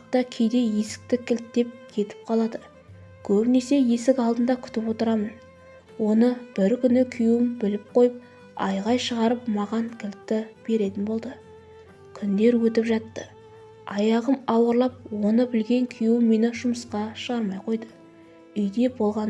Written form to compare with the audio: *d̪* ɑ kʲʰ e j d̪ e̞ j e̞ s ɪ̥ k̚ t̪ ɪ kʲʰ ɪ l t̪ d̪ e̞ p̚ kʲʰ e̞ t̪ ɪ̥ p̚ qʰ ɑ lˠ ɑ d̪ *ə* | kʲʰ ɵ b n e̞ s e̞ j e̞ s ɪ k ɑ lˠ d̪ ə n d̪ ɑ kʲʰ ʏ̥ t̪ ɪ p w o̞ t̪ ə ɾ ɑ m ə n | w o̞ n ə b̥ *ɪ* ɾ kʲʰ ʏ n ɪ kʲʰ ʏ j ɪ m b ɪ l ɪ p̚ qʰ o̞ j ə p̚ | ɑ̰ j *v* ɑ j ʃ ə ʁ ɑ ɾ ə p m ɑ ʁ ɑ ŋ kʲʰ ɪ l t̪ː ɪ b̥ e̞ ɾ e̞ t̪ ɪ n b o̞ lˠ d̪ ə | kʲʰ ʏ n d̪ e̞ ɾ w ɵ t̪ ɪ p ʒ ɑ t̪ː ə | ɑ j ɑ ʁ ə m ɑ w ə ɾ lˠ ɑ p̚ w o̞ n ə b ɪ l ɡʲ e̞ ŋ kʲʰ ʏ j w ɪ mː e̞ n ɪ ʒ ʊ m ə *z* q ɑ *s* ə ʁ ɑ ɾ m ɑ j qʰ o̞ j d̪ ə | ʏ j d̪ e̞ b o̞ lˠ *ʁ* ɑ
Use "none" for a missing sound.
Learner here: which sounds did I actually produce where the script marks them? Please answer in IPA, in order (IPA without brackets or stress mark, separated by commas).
t̪, ə, ɪ, ʁ, s, ʃ, ʁ